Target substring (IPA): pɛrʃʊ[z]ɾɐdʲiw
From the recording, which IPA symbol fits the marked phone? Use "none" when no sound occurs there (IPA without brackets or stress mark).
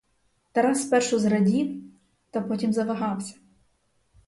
z